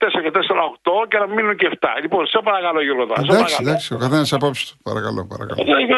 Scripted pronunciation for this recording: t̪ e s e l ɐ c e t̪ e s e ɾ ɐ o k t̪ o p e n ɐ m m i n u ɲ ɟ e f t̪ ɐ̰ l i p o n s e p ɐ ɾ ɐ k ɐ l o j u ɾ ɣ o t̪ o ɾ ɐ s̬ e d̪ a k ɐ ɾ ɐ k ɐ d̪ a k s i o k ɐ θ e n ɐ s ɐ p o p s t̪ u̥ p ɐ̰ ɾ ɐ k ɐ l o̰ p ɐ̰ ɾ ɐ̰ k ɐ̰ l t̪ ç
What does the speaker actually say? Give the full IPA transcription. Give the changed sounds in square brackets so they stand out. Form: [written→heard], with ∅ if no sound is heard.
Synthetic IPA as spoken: t̪ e s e [l→ɾ] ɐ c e t̪ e s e ɾ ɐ o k t̪ o [p→c] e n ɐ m m i n u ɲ [ɟ→c] e f t̪ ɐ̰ l i p o n s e p ɐ ɾ ɐ k ɐ l o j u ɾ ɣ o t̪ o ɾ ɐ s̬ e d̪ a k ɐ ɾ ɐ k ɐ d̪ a k s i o k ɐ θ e n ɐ s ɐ p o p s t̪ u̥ p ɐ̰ ɾ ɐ k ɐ l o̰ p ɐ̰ ɾ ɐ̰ k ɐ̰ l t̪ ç